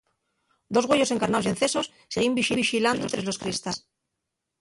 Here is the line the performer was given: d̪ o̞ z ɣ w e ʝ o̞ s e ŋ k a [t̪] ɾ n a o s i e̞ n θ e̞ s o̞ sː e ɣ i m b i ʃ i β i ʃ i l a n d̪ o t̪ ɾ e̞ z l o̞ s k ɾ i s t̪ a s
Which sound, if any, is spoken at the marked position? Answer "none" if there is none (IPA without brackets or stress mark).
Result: none